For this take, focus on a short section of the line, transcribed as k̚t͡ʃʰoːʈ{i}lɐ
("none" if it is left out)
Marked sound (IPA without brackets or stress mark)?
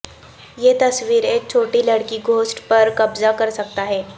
i